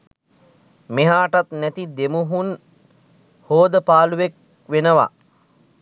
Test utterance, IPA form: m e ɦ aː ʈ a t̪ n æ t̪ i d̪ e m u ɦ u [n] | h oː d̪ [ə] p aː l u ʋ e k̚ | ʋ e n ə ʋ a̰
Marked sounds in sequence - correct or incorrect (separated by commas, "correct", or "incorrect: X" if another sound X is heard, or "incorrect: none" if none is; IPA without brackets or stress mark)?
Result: correct, correct